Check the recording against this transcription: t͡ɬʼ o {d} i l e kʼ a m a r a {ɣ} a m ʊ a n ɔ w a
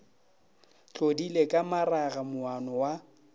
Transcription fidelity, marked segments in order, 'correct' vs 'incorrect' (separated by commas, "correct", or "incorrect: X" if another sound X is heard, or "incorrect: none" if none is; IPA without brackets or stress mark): correct, correct